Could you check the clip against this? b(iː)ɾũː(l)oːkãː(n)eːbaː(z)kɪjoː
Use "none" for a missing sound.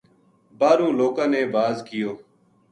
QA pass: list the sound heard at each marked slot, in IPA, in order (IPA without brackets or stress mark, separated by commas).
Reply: aː, l, n, z